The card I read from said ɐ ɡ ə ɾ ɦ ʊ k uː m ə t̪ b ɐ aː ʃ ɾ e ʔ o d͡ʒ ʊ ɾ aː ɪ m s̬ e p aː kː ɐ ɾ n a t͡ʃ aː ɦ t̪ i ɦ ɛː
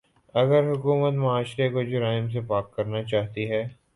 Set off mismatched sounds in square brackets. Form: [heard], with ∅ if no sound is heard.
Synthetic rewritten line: ɐ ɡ ə ɾ ɦ ʊ k uː m ə t̪ [m] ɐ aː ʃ ɾ e [k] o d͡ʒ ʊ ɾ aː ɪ m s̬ e p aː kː ɐ ɾ n a t͡ʃ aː ɦ t̪ i ɦ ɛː